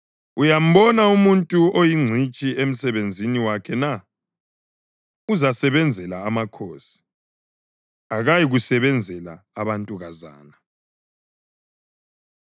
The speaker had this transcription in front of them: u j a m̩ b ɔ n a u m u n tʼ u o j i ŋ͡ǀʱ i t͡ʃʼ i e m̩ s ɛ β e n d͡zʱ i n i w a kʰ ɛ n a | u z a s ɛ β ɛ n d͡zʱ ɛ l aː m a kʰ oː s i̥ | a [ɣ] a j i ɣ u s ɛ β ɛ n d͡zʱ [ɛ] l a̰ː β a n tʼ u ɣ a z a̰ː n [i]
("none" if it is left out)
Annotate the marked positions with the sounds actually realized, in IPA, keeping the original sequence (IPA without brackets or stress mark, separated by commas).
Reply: ɣ, ɛ, a